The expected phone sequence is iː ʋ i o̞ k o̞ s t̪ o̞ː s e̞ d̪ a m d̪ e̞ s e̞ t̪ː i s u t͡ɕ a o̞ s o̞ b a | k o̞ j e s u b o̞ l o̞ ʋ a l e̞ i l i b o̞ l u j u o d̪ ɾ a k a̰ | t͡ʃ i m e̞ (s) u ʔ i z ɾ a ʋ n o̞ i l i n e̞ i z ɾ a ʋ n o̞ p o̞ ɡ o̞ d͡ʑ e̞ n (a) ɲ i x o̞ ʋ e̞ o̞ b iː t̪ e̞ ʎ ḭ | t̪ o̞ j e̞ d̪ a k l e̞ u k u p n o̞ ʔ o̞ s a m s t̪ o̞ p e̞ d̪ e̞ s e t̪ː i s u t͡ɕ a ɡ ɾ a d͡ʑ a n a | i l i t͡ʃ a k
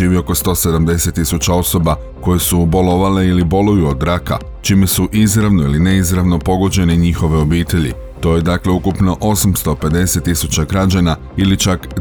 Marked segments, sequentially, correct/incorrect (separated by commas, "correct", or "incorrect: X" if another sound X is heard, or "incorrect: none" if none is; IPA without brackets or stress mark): correct, incorrect: e